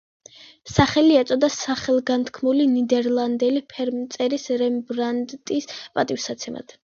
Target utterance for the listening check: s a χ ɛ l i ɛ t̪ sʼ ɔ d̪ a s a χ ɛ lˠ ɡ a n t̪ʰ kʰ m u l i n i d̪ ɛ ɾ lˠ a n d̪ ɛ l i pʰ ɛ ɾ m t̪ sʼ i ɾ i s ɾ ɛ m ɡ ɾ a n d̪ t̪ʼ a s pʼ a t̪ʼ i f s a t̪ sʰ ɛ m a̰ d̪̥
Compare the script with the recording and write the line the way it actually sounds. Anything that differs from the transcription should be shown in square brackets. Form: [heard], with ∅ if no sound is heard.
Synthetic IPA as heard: s a χ ɛ l i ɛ t̪ sʼ ɔ d̪ a s a χ ɛ lˠ ɡ a n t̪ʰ kʰ m u l i n i d̪ ɛ ɾ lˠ a n d̪ ɛ l i pʰ ɛ ɾ m t̪ sʼ [ɛ] ɾ i s ɾ ɛ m [b] ɾ a n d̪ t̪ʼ [i] s pʼ a t̪ʼ i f s a t̪ sʰ ɛ m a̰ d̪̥